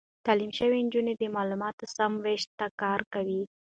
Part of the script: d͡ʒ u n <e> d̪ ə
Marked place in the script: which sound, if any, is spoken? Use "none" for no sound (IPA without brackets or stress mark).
e